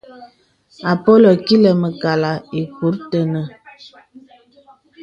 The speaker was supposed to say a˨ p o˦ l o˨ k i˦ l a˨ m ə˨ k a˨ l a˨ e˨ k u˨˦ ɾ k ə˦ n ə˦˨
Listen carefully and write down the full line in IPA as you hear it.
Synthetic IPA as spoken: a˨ p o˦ l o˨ k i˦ l ə˨ m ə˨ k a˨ l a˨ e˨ k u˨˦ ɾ t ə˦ n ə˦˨